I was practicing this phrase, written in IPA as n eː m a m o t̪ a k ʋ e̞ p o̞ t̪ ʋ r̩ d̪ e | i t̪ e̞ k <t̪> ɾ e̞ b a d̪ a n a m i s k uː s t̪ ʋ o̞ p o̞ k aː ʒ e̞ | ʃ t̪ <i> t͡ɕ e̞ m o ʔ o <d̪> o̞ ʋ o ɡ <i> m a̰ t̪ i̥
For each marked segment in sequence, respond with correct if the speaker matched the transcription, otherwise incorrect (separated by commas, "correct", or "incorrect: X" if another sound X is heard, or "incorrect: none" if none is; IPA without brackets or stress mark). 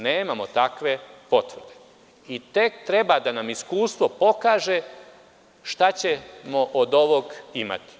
correct, incorrect: a, correct, correct